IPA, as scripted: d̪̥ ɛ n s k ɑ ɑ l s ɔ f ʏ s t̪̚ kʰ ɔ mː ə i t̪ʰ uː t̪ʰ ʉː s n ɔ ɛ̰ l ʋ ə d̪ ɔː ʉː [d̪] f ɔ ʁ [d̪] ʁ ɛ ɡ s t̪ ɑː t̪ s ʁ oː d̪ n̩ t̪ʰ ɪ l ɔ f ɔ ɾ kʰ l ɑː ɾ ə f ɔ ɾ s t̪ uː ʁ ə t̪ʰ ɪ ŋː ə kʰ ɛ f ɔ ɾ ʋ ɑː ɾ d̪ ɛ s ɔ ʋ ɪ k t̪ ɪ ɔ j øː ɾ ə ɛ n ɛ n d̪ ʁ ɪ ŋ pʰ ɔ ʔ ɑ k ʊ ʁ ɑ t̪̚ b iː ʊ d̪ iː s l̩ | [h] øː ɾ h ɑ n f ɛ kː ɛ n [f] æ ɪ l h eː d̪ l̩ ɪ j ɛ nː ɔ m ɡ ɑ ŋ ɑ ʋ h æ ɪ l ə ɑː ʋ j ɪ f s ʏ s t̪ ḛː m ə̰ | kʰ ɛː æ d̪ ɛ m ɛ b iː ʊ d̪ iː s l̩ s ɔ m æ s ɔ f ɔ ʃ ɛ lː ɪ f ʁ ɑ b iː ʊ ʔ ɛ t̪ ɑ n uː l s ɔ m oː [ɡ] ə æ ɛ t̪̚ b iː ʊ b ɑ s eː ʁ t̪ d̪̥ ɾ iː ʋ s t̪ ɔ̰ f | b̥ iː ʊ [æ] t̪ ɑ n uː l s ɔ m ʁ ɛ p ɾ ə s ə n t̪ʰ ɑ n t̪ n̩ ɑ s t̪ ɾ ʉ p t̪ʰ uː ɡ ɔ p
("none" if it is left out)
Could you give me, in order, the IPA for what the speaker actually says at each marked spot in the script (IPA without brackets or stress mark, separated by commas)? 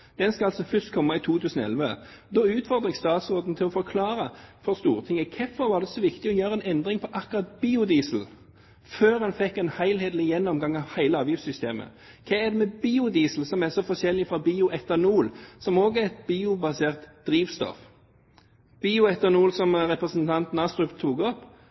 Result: t̪, d̪, f, h, ɡ, ɛ